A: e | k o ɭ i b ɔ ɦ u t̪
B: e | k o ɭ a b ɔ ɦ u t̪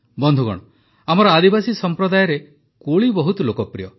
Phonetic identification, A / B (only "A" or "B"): A